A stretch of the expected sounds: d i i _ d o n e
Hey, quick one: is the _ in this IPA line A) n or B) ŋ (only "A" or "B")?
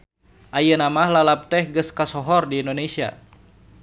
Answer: A